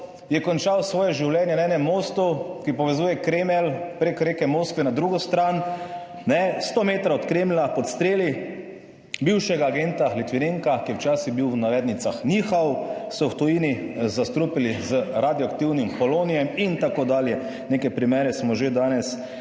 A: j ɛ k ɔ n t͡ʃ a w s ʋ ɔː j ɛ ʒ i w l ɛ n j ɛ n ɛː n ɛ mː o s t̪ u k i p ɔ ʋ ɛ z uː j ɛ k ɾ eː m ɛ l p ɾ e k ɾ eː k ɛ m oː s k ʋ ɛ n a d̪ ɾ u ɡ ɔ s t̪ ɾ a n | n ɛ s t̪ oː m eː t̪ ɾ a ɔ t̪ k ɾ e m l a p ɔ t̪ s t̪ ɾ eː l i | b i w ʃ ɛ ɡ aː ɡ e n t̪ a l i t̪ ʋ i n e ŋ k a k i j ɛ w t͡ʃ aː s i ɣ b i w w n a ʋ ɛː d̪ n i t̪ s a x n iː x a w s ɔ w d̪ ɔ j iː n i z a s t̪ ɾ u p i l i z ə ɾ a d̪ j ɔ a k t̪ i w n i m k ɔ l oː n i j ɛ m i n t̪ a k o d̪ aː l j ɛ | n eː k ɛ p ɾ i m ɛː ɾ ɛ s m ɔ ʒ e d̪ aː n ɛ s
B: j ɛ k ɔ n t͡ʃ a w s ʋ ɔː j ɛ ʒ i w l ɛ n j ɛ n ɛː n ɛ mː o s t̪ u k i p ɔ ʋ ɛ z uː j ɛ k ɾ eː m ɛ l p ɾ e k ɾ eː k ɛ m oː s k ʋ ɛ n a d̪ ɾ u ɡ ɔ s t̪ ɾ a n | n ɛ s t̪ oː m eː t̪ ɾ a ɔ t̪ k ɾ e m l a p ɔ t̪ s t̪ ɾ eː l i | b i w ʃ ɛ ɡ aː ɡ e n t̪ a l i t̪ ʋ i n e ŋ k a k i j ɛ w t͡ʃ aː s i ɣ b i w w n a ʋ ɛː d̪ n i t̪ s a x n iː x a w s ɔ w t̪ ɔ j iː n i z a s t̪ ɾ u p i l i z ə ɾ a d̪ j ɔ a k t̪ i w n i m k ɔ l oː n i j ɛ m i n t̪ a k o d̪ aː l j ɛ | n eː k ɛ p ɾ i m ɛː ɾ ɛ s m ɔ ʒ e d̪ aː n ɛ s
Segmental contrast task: B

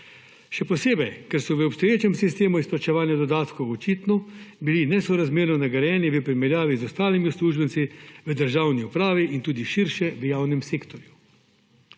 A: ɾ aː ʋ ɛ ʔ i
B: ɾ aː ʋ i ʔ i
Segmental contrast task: B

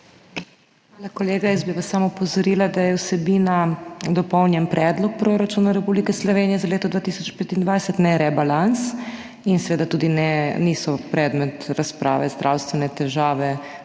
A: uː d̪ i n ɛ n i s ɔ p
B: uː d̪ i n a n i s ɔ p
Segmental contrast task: A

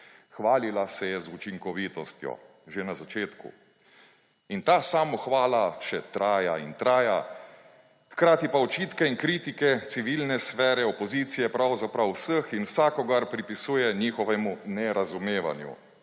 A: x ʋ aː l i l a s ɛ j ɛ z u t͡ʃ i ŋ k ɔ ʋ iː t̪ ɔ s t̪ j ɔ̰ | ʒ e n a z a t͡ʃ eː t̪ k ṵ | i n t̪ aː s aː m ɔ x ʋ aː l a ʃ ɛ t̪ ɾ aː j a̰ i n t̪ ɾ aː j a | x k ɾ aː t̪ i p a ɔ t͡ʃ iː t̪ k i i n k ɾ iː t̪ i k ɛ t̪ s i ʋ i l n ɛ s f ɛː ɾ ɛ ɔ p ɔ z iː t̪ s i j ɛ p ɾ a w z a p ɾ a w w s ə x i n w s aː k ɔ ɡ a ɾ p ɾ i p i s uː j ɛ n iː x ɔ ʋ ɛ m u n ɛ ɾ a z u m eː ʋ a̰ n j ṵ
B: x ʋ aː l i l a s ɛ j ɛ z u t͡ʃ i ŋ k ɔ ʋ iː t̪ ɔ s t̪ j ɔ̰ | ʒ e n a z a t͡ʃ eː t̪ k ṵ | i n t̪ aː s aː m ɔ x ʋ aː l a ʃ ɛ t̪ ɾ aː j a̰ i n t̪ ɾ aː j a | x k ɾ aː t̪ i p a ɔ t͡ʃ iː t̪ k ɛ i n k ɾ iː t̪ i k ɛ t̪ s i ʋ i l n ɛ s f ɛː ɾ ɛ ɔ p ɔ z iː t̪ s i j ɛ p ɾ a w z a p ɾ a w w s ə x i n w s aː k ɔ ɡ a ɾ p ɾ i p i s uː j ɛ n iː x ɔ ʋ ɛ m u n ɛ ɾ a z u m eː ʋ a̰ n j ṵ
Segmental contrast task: B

